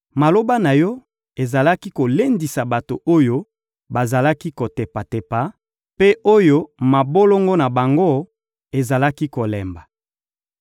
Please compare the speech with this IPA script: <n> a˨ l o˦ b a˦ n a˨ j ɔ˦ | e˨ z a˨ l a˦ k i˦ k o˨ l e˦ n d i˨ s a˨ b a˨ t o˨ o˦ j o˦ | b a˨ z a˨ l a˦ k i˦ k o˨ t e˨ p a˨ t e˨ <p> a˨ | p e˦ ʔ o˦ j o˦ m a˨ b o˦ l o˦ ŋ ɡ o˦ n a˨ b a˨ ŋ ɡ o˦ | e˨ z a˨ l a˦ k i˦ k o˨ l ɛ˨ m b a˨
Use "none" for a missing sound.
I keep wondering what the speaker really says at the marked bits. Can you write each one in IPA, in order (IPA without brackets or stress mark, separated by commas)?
m, p